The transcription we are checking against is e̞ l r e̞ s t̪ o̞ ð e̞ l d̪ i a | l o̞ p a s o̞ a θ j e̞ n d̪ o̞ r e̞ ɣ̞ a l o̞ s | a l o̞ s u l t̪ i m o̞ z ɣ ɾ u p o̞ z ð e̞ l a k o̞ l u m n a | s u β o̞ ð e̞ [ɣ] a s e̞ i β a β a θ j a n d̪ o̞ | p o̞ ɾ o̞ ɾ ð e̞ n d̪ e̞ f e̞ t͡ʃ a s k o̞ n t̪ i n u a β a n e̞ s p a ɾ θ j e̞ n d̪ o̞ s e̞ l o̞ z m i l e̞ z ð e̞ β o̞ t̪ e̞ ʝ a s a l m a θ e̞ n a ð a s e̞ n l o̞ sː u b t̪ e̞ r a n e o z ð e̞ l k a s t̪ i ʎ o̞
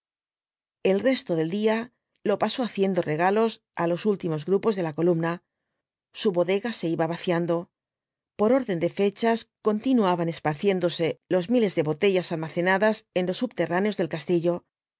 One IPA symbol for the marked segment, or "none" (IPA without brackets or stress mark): ɣ